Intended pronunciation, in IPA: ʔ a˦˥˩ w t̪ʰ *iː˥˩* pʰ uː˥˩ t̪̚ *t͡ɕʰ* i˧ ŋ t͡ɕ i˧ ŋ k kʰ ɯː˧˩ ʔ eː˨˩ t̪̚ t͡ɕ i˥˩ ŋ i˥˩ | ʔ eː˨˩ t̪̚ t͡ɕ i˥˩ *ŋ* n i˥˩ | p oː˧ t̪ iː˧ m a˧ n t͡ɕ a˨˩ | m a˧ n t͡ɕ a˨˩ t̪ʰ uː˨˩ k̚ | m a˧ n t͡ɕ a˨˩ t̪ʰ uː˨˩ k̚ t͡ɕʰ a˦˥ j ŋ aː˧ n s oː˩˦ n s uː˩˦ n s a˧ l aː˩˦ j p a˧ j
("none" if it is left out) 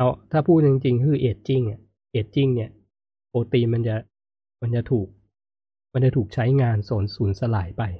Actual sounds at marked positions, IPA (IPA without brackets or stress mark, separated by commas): aː˥˩, t͡ɕ, ŋ